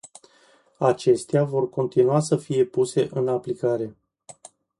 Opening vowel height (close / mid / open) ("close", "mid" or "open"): open